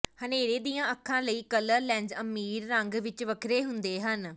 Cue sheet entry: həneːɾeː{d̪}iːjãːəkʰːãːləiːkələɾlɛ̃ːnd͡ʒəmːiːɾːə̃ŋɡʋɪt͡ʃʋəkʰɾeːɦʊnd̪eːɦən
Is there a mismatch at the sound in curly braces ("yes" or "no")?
no